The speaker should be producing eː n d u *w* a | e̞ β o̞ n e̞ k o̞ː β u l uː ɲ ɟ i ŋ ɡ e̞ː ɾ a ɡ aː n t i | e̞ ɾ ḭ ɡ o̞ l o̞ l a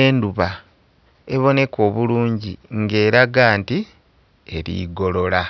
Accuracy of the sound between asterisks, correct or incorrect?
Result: incorrect